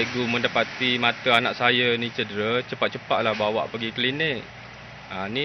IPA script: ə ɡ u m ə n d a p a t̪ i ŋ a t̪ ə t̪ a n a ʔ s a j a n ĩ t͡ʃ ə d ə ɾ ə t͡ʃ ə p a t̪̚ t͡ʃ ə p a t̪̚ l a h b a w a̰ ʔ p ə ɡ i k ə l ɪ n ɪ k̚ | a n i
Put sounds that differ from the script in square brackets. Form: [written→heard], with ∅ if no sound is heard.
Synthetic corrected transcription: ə ɡ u m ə n d a p a t̪ i [ŋ→m] a t̪ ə [t̪→∅] a n a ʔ s a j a n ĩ t͡ʃ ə d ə ɾ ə t͡ʃ ə p a t̪̚ t͡ʃ ə p a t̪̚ l a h b a w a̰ ʔ p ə ɡ i k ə l [ɪ→i] n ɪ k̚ | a n i